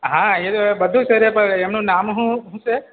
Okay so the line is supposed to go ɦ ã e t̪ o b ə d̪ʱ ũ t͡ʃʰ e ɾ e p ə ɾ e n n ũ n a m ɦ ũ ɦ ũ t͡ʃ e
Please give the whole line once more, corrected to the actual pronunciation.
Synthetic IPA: ɦ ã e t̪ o b ə d̪ʱ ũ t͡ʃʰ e ɾ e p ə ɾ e m n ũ n a m ɦ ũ ɦ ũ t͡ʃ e

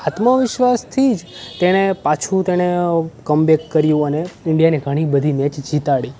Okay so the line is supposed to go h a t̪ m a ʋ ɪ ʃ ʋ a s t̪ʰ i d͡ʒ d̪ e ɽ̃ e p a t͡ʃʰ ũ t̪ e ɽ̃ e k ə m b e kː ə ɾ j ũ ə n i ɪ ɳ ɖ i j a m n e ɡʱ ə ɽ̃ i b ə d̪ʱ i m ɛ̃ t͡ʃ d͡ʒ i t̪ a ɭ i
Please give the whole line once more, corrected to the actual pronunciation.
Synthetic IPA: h a t̪ m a ʋ ɪ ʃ ʋ a s t̪ʰ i d͡ʒ t̪ e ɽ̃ e p a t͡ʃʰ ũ t̪ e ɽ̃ e k ə m b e kː ə ɾ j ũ ə n e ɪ ɳ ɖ i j a n e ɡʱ ə ɽ̃ i b ə d̪ʱ i m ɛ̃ t͡ʃ d͡ʒ i t̪ a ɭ i

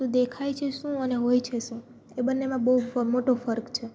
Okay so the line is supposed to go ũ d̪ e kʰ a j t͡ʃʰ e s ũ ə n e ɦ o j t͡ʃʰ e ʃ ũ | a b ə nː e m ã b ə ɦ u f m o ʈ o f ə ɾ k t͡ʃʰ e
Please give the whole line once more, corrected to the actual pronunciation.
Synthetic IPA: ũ d̪ e kʰ a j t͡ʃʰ e ʃ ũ ə n e ɦ o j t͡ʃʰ e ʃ ũ | e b ə nː e m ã b ə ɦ u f m o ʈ o f ə ɾ k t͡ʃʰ e

